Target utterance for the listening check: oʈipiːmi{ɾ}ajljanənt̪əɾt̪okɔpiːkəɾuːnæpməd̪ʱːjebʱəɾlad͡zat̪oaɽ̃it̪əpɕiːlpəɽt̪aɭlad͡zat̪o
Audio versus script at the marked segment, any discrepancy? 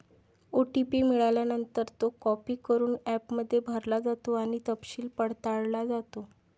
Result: yes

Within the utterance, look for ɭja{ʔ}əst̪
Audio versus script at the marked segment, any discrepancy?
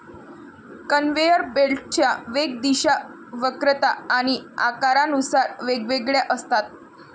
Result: no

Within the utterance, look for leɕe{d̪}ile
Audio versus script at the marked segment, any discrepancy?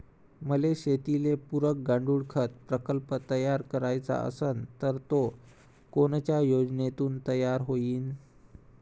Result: yes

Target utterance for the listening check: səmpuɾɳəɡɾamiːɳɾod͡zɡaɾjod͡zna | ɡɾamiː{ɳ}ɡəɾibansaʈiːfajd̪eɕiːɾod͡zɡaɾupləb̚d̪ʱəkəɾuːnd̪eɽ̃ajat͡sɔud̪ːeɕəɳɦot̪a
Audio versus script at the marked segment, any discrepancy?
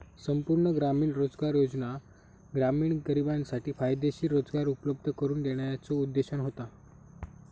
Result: no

